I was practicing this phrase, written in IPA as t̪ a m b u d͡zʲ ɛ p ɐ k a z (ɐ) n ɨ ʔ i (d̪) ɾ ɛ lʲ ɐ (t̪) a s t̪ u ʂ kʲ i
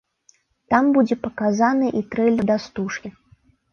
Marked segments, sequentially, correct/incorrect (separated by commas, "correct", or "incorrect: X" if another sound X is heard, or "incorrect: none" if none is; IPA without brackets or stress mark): incorrect: a, incorrect: t̪, incorrect: d̪